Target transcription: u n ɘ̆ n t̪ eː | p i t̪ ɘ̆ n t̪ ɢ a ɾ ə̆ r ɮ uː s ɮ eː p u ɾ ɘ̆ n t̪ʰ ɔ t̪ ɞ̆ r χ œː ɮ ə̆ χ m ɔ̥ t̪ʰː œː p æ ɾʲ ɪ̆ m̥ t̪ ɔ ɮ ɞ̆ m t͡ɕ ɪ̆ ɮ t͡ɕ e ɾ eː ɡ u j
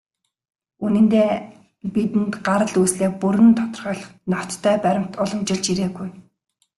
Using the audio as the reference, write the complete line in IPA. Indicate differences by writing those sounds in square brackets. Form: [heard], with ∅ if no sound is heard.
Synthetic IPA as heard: u n ɘ̆ n t̪ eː | p i t̪ ɘ̆ n t̪ ɢ a ɾ ə̆ [∅] ɮ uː s ɮ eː p u ɾ ɘ̆ n t̪ʰ ɔ t̪ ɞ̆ r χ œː ɮ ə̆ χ [n] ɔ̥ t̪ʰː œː p æ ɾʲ ɪ̆ m̥ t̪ ɔ ɮ ɞ̆ m t͡ɕ ɪ̆ ɮ t͡ɕ [i] ɾ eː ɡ u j